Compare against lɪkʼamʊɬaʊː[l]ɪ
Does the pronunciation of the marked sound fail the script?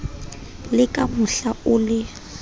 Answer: no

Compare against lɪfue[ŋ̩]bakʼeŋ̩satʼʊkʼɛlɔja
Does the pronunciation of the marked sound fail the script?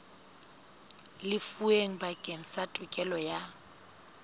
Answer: no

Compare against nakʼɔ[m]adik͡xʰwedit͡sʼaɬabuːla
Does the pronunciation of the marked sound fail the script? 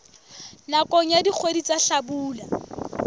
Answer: yes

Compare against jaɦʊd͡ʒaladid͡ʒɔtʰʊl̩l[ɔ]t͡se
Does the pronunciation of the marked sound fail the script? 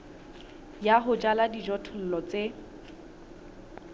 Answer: no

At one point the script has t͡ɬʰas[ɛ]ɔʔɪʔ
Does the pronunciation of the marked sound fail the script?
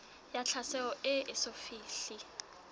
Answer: no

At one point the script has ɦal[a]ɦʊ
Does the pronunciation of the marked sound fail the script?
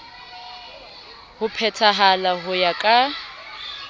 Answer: no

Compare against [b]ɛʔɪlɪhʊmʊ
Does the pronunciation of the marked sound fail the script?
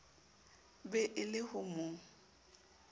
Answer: no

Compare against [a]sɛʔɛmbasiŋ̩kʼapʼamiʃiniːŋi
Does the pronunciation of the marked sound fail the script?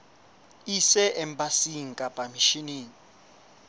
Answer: yes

